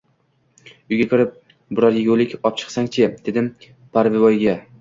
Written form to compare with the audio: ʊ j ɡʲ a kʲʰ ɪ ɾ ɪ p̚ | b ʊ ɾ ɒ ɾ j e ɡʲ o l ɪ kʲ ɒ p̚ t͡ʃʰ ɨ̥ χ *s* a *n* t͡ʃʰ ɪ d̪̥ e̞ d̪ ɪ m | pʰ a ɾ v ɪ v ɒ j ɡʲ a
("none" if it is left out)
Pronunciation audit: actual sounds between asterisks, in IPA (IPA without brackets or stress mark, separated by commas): s, ŋ